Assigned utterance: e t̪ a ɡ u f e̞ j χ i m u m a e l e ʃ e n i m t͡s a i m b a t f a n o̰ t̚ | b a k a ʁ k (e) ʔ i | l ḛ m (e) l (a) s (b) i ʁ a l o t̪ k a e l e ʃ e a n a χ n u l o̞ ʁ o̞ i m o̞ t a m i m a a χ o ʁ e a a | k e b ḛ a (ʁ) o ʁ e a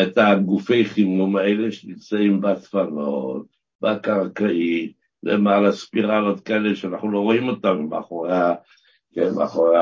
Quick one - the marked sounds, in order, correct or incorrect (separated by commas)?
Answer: incorrect, incorrect, correct, incorrect, incorrect